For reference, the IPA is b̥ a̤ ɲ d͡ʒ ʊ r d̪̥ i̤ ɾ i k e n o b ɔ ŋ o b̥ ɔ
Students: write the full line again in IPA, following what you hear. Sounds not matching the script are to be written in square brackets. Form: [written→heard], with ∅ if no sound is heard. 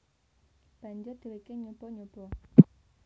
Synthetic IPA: b̥ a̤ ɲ d͡ʒ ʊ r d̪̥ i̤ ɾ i k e [n→ɲ] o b ɔ [ŋ→ɲ] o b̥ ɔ